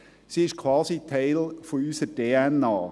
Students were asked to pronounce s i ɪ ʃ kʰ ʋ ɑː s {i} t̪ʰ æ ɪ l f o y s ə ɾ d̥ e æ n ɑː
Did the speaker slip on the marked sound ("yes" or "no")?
no